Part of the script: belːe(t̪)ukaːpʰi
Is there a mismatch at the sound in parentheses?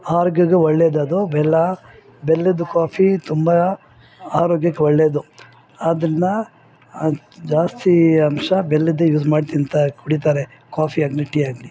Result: yes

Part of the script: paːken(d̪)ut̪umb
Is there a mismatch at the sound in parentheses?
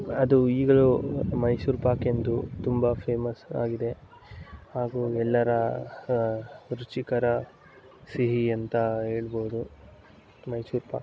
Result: no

